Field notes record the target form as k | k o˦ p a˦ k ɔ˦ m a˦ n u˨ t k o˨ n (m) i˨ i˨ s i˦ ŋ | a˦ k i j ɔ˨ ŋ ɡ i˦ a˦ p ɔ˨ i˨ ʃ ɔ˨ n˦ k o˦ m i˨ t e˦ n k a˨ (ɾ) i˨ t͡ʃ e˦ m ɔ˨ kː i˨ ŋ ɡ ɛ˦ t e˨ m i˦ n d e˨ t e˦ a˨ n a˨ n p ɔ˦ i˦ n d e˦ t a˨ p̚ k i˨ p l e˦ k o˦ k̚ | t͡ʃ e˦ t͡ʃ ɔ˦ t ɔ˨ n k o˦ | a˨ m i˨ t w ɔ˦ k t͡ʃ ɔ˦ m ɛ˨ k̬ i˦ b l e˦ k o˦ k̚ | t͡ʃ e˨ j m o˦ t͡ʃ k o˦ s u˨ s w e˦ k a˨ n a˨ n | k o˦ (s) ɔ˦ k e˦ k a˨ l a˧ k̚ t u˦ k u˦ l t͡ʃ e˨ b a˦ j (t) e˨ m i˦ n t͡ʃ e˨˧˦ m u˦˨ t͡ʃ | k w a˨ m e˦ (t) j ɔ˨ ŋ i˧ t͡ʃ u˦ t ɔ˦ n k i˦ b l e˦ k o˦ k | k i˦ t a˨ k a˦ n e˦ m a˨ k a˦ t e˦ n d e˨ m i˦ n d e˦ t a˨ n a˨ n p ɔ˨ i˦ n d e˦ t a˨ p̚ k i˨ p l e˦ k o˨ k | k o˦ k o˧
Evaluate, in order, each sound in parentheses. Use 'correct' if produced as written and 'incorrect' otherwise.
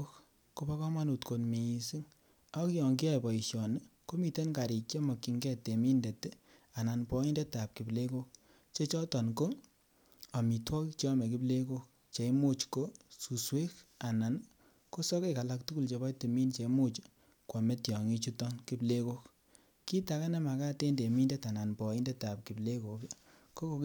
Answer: correct, correct, correct, correct, correct

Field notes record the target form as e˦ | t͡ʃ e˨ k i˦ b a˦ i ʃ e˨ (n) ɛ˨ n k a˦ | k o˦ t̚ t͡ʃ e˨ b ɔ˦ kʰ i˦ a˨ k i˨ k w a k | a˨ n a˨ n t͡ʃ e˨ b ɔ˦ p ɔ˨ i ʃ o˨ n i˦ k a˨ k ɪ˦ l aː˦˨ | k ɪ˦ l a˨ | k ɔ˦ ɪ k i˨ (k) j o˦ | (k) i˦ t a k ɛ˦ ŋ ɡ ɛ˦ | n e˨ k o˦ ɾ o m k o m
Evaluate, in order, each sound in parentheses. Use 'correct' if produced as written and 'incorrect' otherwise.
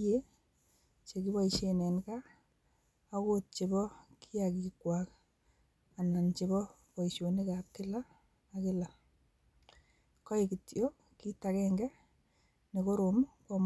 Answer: correct, incorrect, correct

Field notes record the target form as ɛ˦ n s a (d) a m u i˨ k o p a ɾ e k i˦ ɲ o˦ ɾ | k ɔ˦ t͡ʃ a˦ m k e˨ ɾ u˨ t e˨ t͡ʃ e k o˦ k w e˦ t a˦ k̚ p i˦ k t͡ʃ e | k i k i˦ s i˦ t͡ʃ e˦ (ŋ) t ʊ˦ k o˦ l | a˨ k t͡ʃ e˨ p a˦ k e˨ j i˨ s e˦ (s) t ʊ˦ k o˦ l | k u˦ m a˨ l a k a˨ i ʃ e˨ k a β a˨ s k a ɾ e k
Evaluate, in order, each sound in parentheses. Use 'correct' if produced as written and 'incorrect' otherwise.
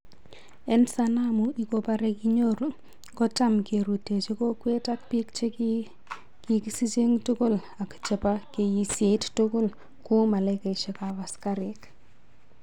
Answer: incorrect, correct, incorrect

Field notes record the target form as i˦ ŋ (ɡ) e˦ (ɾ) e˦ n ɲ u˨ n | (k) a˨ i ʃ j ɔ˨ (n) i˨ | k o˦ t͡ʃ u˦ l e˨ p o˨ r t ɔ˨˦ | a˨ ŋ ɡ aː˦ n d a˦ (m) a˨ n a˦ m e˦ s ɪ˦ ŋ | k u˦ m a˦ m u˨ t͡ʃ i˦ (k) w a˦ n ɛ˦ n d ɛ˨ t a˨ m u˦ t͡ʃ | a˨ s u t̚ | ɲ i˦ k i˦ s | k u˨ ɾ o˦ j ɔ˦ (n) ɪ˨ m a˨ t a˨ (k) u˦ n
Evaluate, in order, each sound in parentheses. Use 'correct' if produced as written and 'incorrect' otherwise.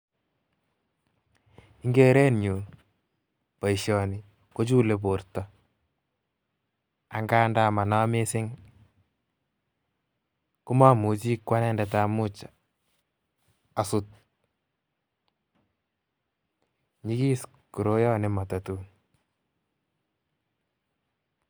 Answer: correct, correct, incorrect, correct, correct, correct, correct, incorrect

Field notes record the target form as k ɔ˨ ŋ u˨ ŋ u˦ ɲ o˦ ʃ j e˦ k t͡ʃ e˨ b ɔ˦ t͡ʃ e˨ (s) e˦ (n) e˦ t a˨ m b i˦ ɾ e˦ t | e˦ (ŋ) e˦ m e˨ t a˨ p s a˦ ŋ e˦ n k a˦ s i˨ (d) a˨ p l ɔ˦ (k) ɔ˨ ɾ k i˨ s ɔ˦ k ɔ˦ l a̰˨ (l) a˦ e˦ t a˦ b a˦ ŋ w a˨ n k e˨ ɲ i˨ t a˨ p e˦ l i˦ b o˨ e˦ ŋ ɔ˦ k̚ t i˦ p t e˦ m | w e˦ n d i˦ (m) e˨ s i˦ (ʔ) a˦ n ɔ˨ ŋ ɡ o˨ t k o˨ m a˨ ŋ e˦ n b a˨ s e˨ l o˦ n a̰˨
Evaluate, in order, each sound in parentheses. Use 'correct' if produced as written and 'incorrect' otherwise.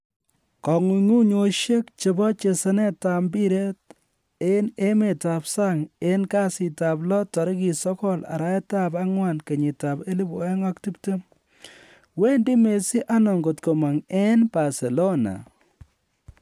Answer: correct, correct, incorrect, incorrect, incorrect, incorrect, correct, correct

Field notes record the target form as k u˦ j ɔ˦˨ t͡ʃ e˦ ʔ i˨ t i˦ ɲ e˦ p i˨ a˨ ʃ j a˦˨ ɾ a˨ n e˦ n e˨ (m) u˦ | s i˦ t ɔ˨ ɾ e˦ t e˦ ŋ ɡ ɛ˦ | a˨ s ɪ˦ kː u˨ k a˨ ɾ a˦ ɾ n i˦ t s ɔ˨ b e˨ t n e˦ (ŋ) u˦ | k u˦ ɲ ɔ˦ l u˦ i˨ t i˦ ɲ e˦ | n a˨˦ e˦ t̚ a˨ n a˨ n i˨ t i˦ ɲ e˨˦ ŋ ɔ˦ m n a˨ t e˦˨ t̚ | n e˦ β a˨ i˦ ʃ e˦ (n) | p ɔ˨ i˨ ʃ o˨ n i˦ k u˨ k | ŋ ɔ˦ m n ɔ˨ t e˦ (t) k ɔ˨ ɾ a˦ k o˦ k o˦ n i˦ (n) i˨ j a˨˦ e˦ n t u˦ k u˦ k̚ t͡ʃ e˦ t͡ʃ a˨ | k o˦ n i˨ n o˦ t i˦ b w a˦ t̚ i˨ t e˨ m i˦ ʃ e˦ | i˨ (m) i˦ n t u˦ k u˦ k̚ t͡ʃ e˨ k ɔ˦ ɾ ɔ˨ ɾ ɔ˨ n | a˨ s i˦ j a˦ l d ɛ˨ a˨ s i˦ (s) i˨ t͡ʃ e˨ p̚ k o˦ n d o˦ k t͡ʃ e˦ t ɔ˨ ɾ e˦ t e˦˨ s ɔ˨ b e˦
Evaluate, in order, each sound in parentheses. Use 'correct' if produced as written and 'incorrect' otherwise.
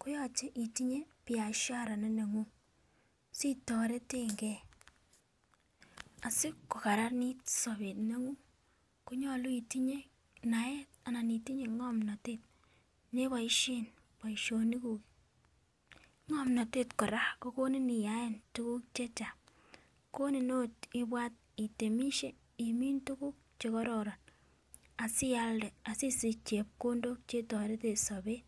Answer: incorrect, correct, correct, correct, correct, correct, correct

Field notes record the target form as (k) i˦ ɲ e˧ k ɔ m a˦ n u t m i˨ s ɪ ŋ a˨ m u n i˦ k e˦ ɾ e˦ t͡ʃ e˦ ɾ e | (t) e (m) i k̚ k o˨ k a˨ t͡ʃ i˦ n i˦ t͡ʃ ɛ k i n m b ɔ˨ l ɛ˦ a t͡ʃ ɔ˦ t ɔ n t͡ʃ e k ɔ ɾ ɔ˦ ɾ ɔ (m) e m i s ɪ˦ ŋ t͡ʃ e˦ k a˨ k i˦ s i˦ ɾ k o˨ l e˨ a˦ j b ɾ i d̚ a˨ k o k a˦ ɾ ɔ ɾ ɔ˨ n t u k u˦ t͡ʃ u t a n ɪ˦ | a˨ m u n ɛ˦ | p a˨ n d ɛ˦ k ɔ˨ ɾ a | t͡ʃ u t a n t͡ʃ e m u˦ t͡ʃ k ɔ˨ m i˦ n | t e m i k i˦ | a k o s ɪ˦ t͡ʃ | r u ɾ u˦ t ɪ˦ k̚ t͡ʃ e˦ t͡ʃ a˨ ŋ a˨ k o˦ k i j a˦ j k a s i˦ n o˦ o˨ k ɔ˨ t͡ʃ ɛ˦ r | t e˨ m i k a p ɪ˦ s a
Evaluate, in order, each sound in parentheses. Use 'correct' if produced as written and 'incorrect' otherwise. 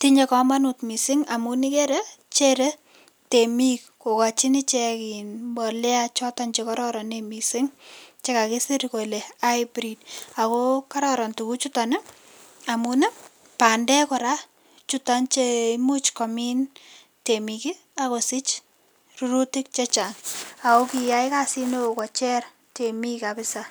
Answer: incorrect, correct, correct, incorrect

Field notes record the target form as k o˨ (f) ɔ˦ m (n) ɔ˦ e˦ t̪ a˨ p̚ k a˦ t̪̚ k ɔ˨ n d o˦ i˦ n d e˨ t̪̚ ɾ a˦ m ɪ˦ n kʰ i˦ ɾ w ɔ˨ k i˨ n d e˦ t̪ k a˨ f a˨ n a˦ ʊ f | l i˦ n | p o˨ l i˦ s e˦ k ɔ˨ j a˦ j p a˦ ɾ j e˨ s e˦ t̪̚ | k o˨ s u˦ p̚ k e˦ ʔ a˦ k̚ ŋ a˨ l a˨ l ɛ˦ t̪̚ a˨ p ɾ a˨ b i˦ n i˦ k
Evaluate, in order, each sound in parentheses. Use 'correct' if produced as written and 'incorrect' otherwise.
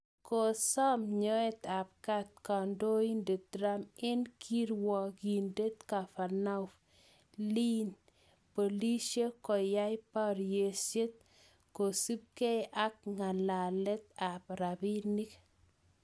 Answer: incorrect, incorrect

